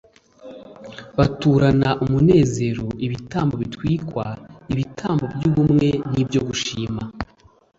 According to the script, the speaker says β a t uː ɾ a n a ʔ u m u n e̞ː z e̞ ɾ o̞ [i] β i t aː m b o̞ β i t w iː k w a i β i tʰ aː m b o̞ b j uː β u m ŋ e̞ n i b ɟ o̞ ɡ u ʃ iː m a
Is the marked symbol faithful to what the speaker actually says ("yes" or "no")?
yes